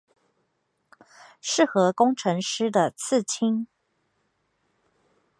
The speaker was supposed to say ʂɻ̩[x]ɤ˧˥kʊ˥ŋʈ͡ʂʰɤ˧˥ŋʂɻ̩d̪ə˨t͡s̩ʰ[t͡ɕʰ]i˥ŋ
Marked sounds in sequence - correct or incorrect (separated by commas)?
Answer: correct, correct